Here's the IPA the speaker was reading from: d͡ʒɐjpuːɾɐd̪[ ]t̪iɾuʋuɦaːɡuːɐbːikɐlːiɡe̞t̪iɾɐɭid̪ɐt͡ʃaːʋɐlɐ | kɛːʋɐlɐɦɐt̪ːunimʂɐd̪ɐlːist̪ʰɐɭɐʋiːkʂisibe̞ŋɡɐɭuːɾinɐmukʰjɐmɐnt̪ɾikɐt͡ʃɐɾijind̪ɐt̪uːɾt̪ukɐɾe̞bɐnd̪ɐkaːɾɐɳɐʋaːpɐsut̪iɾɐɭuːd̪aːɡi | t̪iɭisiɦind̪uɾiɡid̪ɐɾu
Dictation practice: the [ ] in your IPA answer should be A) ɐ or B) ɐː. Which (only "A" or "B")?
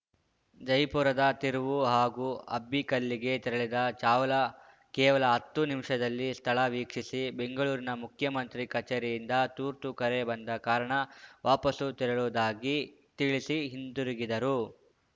A